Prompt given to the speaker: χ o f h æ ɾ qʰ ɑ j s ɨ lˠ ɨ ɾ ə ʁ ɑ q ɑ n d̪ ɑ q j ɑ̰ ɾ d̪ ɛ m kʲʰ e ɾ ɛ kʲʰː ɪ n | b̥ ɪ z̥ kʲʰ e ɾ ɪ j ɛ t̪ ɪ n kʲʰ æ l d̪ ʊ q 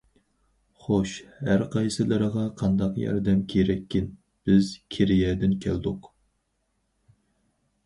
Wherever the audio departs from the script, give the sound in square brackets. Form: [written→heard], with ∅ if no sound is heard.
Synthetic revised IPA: χ o [f→ʃ] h æ ɾ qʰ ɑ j s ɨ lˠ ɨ ɾ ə ʁ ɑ [q→qʰ] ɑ n d̪ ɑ q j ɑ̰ ɾ d̪ ɛ m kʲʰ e ɾ ɛ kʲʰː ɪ n | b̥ ɪ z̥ kʲʰ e ɾ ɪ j ɛ [t̪→d̪] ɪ n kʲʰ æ l d̪ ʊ q